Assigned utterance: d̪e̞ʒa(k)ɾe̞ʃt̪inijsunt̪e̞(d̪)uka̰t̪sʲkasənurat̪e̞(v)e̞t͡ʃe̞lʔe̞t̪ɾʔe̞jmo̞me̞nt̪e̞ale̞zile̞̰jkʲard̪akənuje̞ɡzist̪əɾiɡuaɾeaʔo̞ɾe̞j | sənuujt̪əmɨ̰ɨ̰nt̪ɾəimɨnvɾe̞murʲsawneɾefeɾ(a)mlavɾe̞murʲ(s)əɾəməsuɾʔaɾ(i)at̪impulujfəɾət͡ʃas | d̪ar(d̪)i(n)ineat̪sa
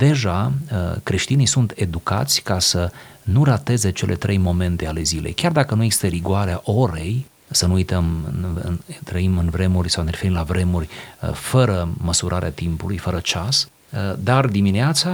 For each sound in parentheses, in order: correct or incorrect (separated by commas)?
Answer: correct, correct, incorrect, incorrect, incorrect, incorrect, correct, incorrect